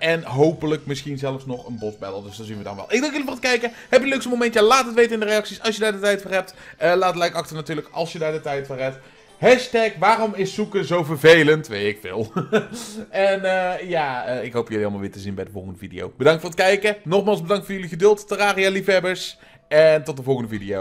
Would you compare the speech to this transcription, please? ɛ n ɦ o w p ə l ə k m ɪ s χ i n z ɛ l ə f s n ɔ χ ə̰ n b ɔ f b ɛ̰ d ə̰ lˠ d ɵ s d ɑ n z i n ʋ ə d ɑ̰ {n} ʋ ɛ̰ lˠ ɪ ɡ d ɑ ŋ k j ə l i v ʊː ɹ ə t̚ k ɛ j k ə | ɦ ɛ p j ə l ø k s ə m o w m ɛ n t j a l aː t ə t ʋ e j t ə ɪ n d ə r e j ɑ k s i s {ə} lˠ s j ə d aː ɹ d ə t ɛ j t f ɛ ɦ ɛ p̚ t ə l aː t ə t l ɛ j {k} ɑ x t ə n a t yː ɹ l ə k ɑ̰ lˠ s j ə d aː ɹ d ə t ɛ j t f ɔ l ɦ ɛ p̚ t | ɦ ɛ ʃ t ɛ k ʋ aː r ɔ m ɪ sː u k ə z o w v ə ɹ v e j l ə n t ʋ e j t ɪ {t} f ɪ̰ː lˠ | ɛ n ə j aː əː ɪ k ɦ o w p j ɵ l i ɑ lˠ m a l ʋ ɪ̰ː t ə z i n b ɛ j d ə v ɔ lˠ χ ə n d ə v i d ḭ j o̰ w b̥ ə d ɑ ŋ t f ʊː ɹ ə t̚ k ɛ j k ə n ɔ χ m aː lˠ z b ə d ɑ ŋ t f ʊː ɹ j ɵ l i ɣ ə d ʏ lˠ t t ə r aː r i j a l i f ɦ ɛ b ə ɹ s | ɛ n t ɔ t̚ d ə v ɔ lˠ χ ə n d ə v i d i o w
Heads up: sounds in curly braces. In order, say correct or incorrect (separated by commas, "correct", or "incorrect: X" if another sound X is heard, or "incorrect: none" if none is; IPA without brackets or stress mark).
correct, incorrect: ɑ, correct, incorrect: k